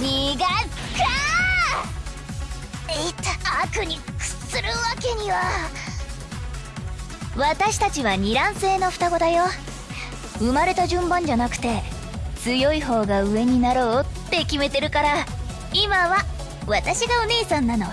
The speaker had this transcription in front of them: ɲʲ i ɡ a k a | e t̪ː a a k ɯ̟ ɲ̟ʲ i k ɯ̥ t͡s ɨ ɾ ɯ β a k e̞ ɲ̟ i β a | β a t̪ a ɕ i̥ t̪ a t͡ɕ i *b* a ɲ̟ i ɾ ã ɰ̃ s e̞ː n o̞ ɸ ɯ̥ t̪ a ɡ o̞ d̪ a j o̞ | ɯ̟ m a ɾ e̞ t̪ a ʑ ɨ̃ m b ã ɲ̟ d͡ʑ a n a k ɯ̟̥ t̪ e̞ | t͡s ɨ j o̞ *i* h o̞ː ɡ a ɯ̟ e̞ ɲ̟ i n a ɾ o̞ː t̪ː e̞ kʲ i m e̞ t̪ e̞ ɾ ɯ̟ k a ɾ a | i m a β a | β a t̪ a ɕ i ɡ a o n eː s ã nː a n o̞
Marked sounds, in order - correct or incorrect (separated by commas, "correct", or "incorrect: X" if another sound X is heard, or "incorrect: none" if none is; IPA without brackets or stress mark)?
incorrect: β, correct